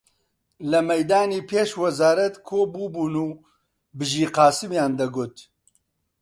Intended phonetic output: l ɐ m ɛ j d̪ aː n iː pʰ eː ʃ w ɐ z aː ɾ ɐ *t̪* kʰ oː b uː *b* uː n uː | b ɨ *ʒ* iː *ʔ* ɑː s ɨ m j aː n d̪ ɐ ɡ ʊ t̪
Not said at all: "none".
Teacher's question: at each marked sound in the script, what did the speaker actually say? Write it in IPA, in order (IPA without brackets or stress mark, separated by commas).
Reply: t̪, b, ʒ, q